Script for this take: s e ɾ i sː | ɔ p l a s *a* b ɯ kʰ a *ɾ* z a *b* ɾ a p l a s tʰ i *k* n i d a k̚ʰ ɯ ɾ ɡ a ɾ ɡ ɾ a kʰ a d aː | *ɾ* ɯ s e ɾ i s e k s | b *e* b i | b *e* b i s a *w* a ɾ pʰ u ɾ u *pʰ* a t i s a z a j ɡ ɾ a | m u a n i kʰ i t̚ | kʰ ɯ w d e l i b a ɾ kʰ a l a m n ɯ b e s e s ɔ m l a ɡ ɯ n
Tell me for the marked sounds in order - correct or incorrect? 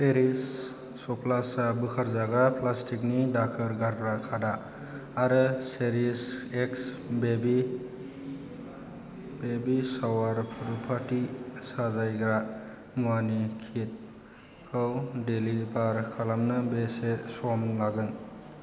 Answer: correct, correct, incorrect: ɡ, correct, correct, correct, correct, correct, correct

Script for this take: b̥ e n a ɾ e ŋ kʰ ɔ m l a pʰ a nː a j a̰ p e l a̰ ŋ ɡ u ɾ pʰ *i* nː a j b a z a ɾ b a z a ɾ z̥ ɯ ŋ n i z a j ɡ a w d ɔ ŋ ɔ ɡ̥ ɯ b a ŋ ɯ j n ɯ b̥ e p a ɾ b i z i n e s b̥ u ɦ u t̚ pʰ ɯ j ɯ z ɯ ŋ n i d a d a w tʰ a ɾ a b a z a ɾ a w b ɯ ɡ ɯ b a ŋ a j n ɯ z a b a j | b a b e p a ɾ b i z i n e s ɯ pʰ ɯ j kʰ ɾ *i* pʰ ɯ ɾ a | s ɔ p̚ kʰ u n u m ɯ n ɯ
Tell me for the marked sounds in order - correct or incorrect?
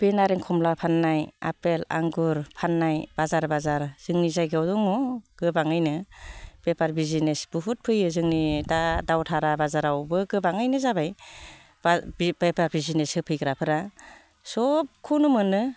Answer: incorrect: a, incorrect: a

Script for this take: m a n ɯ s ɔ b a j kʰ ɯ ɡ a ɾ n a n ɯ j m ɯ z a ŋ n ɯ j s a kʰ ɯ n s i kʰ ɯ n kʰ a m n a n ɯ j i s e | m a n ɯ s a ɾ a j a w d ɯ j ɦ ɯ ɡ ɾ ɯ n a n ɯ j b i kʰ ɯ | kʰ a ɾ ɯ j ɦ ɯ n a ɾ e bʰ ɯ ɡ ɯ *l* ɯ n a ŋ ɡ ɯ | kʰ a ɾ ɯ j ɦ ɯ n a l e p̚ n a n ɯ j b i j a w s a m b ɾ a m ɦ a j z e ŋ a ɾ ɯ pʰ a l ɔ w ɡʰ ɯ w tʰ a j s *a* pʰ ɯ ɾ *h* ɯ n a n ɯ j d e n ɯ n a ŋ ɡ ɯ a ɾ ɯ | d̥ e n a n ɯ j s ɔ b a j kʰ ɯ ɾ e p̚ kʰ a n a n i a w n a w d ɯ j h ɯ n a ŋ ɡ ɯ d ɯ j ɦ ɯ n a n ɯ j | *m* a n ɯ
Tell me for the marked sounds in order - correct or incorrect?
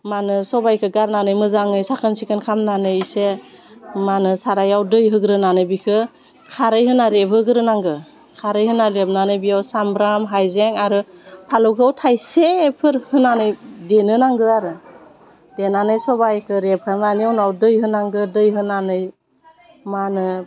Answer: incorrect: ɾ, incorrect: e, correct, correct

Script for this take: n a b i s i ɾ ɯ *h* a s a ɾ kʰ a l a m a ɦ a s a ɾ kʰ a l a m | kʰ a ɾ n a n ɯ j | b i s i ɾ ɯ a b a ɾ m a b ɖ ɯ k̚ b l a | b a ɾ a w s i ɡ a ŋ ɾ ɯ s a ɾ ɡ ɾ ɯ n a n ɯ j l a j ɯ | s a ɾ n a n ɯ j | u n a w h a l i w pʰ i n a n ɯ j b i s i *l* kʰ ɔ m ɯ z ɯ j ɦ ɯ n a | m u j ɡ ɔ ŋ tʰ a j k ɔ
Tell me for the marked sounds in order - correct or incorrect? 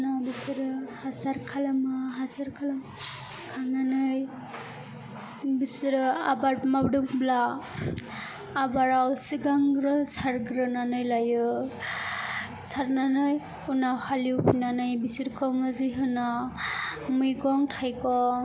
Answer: correct, incorrect: ɾ

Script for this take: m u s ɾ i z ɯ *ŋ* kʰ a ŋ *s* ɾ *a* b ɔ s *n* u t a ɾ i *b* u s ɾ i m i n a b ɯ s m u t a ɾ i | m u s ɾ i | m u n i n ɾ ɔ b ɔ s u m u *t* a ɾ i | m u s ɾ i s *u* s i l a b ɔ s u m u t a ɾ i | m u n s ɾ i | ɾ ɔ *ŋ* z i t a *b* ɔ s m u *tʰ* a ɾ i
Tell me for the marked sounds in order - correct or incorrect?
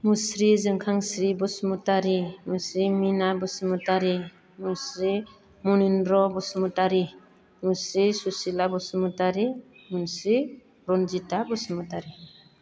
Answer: correct, correct, incorrect: i, incorrect: m, incorrect: m, correct, correct, incorrect: n, correct, incorrect: t

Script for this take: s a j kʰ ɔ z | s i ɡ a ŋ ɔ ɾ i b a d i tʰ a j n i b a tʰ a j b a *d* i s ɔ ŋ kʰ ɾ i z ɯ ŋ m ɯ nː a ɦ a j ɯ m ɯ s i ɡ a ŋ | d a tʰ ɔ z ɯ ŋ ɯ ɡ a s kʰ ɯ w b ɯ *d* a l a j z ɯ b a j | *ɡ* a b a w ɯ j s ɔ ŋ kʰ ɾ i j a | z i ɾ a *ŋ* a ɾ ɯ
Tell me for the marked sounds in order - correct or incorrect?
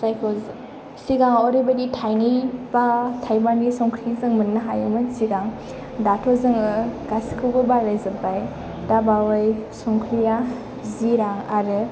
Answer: incorrect: n, incorrect: b, incorrect: d, correct

